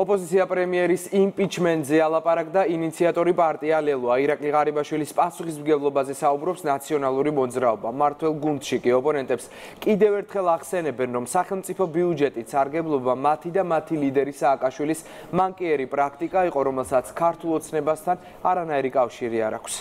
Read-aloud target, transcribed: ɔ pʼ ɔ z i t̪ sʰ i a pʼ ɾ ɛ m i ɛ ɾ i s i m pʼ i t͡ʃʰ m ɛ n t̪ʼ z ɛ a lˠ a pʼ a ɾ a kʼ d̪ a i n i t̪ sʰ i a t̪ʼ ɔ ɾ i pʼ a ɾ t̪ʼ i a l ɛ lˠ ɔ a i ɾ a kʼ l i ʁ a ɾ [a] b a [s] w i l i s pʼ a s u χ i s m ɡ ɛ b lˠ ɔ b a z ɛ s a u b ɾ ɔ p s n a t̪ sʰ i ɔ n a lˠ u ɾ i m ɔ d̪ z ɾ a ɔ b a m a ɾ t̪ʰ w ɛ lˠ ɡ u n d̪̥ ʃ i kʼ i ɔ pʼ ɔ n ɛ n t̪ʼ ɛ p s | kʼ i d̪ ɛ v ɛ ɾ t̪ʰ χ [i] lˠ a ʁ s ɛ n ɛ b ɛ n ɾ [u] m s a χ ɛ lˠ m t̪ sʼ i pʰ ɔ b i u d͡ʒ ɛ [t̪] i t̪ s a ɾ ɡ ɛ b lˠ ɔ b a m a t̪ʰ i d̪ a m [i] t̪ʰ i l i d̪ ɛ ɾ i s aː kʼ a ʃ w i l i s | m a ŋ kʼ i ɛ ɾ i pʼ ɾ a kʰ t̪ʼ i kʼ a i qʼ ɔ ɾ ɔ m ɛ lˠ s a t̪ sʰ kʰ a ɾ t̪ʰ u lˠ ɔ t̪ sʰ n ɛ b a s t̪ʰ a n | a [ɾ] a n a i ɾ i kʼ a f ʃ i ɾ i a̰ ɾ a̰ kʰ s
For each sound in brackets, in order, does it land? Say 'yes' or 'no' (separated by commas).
no, no, no, no, no, no, yes